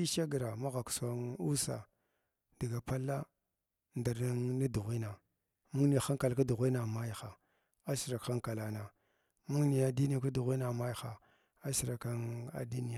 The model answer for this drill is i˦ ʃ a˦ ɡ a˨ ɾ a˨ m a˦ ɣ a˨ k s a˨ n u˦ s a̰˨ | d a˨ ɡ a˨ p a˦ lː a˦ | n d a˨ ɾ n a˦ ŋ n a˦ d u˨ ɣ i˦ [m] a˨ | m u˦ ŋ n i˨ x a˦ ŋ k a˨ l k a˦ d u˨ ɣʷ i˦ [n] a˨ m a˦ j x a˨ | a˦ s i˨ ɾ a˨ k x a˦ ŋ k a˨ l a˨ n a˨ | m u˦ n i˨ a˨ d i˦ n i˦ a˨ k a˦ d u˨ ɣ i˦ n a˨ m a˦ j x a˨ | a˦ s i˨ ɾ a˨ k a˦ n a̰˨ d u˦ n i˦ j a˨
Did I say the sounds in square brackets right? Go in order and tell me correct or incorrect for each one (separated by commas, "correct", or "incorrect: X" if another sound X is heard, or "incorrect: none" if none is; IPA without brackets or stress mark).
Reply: incorrect: n, correct